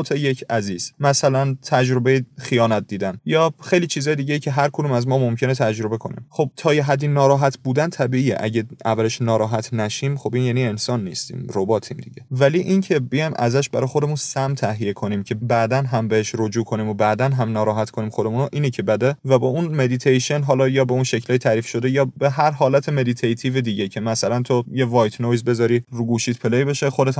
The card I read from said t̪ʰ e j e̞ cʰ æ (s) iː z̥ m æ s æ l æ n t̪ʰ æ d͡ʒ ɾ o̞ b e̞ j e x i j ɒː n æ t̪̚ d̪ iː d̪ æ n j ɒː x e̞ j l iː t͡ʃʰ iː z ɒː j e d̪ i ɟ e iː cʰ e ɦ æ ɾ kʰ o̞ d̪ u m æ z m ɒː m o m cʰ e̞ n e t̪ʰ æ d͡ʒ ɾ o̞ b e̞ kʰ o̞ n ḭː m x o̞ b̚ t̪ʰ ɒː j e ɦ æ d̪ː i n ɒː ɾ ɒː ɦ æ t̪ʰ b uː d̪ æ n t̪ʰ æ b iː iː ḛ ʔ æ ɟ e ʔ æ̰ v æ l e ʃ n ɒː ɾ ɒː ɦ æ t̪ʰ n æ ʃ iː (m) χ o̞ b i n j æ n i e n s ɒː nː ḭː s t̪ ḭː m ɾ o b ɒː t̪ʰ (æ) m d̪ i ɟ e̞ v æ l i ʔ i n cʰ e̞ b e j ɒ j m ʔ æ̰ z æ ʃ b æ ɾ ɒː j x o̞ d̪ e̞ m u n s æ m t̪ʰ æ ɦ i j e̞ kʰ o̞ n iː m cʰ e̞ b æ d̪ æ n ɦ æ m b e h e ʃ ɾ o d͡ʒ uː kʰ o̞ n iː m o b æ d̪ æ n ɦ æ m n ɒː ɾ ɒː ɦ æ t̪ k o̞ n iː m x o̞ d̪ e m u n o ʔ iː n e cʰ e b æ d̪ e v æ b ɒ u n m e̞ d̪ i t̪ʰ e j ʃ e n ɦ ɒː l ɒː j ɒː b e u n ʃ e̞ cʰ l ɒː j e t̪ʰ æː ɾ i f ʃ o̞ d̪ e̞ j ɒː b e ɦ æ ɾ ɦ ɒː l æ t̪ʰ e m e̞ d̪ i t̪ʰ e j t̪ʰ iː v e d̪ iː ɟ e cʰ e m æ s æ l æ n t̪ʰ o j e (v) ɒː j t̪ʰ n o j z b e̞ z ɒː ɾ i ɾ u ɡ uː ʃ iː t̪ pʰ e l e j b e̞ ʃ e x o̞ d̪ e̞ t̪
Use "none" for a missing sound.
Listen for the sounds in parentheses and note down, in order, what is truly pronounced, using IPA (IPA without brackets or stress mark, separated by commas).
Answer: z, m, i, v